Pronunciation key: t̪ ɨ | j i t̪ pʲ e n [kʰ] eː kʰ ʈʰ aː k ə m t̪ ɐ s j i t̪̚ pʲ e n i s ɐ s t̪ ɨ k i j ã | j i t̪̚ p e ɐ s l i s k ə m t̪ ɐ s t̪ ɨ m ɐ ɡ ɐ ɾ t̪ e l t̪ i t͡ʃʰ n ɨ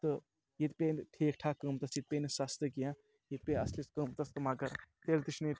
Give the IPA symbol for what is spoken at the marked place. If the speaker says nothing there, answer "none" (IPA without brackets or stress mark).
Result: ʈʰ